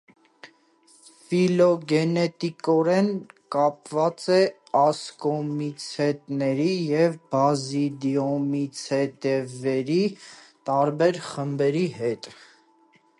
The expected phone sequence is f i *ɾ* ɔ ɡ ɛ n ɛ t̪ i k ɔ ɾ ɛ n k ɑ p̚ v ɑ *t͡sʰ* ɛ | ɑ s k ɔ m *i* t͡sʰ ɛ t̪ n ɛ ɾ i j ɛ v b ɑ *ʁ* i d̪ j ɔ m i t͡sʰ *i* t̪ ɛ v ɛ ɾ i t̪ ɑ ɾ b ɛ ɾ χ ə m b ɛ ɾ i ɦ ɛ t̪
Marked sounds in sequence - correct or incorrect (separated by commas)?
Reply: incorrect, incorrect, correct, incorrect, incorrect